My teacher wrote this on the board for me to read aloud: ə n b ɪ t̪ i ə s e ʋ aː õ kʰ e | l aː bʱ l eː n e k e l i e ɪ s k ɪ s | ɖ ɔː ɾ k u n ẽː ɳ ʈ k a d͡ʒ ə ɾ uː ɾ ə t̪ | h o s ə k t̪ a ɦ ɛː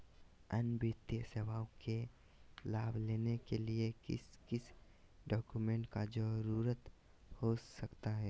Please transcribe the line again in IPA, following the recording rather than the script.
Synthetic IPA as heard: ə n b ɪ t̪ j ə s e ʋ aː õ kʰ e | l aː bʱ l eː n e k e l i e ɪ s k ɪ s | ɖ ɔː k u m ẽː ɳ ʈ k a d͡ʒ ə ɾ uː ɾ ə t̪ | h o s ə k t̪ a ɦ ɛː